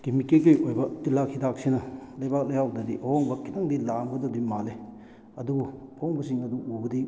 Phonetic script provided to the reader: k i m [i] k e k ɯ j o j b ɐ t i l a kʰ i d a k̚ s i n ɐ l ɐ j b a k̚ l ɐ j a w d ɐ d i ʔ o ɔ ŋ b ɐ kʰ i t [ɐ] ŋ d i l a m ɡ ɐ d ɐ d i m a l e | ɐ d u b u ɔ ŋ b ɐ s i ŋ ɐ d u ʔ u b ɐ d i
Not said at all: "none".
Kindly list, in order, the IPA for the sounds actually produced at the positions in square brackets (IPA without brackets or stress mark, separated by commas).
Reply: i, a